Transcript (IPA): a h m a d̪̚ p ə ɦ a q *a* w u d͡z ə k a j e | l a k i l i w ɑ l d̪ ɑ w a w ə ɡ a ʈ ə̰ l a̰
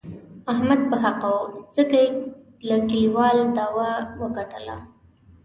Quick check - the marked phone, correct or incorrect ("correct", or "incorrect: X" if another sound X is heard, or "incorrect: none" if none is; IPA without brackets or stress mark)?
correct